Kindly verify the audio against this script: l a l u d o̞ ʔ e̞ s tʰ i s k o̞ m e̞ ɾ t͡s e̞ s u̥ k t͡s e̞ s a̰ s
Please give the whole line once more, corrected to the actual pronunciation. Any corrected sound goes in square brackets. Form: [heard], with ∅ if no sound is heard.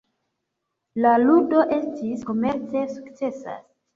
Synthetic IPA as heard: l a l u d o̞ ʔ e̞ s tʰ i s k o̞ m e̞ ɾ t͡s e̞ s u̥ k t͡s e̞ s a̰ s